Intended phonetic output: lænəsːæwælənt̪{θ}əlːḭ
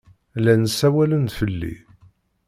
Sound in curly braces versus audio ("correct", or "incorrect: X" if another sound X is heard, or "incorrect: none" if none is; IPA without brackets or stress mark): incorrect: f